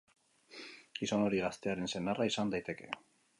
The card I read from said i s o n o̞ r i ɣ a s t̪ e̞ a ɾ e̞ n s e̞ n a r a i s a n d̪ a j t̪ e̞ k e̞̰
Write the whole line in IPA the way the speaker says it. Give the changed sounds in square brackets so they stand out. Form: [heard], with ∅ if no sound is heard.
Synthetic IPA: i s o n o̞ [ɾ] i ɣ a s t̪ e̞ a ɾ e̞ n s e̞ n a r a i s a n d̪ a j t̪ e̞ k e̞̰